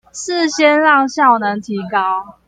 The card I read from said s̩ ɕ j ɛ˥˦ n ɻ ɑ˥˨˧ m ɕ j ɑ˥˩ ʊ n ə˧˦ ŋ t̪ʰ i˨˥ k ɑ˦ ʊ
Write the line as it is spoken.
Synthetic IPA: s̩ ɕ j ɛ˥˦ n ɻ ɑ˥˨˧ ŋ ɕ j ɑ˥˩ ʊ n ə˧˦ ŋ t̪ʰ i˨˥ k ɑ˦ ʊ